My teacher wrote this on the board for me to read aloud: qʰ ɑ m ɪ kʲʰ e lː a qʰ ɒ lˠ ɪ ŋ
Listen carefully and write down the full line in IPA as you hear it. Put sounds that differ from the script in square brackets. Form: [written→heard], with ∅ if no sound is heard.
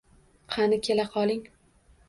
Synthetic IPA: qʰ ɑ [m→n] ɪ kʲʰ e [lː→l] a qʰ ɒ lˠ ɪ ŋ